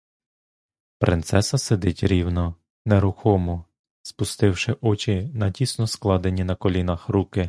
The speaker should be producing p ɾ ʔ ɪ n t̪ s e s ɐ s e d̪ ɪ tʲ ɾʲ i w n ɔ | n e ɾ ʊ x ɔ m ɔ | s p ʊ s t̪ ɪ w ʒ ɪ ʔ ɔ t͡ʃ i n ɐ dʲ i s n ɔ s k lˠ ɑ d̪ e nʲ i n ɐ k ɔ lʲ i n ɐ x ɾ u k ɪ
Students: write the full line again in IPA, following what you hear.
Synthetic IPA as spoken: p ɾ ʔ ɪ n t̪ s ɛ s ɐ s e d̪ ɪ tʲ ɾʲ i w n ɔ | n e ɾ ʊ x ɔ m ɔ | s p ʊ s t̪ ɪ w ʃ ɪ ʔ ɔ t͡ʃ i n ɐ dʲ i s n ɔ s k lˠ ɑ d̪ e nʲ i n ɐ k ɔ lʲ i n ɐ x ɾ u k ɪ